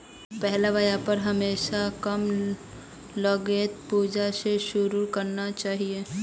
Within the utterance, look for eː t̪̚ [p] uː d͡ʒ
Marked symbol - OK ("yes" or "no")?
yes